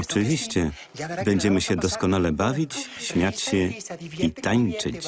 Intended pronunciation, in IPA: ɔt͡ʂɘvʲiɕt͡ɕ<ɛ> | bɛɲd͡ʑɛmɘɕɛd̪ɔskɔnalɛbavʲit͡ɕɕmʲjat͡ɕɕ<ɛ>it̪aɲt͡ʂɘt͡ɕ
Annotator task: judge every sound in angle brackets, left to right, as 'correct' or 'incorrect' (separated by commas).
correct, correct